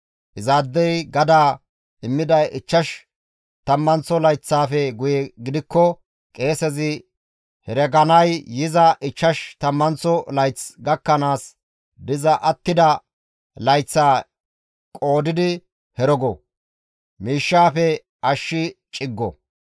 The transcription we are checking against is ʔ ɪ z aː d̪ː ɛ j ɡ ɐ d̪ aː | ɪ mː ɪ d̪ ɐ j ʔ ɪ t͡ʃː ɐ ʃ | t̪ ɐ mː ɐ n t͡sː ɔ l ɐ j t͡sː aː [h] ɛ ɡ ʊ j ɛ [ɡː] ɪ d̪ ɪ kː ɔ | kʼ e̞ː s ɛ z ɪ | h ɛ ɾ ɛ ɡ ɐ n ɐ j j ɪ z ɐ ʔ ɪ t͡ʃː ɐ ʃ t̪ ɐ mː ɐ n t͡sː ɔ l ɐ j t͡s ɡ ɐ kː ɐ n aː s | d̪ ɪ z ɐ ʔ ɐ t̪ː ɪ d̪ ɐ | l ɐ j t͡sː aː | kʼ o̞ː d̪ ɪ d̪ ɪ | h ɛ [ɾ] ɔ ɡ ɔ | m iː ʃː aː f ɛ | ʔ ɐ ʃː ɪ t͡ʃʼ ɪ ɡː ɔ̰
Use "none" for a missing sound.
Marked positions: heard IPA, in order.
f, ɡ, ɾ

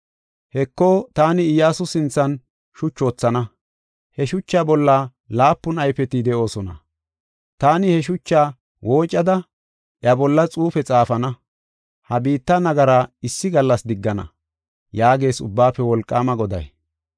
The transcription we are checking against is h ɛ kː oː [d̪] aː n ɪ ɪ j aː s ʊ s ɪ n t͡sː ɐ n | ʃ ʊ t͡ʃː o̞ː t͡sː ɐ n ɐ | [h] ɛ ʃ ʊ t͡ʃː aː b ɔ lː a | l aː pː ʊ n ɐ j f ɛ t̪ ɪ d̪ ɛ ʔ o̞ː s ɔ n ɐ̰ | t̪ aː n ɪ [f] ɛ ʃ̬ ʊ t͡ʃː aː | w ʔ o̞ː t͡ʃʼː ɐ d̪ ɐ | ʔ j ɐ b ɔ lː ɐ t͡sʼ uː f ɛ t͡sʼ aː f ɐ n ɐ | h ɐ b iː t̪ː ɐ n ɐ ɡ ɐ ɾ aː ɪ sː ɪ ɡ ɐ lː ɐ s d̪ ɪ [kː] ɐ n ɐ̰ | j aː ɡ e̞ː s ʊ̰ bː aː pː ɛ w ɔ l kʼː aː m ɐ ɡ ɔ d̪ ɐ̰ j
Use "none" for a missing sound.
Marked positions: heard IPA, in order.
t̪, h, h, ɡː

